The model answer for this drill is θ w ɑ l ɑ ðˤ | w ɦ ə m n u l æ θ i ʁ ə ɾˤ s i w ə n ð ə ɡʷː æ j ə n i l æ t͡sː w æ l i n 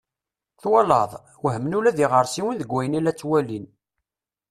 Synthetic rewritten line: θ w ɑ l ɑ ðˤ | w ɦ ə m n u l æ ð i ʁ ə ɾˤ s i w ə n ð ə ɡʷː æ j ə n i l æ t͡sː w æ l i n

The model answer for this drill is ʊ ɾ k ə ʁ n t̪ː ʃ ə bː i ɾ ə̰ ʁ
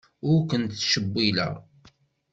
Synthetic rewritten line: ʊ ɾ k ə n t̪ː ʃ ə bː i l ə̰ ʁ

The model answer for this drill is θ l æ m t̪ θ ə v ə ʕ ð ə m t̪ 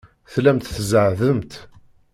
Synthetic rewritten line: θ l æ m t̪ θ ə z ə ʕ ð ə m t̪

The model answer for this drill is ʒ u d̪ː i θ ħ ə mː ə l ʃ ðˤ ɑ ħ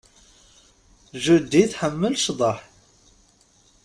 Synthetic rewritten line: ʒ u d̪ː i θ ħ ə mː ə l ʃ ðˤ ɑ ħ

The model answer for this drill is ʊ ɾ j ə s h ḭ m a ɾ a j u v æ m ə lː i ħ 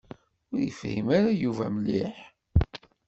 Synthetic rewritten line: ʊ ɾ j ə f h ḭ m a ɾ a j u v æ m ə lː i ħ

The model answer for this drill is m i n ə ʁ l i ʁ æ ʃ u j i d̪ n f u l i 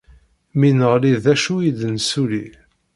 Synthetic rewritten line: m i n ə ʁ l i ð æ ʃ u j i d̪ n s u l i

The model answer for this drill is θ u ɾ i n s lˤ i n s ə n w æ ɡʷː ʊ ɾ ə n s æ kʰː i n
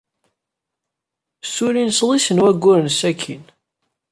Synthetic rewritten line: s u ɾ i n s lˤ i s ə n w æ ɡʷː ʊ ɾ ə n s æ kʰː i n

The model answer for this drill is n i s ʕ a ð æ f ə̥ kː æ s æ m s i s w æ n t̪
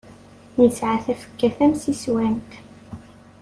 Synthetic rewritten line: n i s ʕ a θ æ f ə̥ kː æ θ æ m s i s w æ n t̪

